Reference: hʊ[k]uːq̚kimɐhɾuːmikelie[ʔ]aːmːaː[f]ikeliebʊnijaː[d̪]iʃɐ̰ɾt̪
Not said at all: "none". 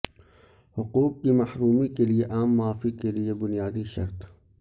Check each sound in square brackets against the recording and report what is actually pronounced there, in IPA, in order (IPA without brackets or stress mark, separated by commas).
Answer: q, ʔ, f, d̪